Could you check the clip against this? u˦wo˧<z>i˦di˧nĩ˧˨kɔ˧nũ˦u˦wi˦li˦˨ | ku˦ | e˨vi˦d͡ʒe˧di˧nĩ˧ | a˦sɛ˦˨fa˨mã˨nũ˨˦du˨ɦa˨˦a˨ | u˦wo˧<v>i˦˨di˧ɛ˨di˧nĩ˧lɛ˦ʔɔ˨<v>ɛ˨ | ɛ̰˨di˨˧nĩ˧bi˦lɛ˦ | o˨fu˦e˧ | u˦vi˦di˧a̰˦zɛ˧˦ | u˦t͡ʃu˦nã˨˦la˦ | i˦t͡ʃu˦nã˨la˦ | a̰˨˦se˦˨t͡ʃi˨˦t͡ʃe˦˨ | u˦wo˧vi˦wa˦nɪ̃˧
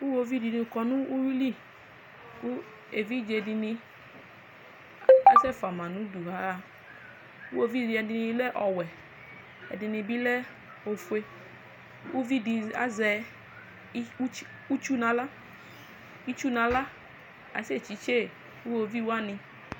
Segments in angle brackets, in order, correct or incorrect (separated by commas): incorrect, correct, incorrect